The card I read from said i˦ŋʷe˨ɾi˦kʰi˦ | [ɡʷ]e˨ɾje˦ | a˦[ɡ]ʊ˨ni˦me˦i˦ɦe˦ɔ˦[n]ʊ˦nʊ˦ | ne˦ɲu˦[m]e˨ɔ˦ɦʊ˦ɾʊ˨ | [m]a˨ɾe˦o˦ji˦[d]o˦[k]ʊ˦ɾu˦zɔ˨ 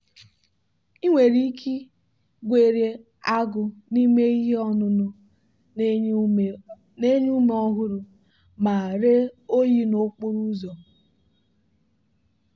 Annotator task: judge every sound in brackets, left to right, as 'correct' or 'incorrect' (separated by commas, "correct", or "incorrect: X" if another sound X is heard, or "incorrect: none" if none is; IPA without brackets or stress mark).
correct, correct, correct, correct, correct, incorrect: n, incorrect: k͡p